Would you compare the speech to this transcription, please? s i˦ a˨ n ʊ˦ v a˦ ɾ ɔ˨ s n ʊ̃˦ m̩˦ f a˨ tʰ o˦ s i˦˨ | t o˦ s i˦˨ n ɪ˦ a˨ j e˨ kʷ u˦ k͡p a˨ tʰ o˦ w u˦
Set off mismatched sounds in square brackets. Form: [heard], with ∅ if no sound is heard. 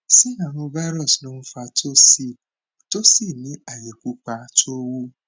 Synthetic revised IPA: s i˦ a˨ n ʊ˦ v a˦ ɾ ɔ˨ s n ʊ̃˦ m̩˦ f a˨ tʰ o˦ s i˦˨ | t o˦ s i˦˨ n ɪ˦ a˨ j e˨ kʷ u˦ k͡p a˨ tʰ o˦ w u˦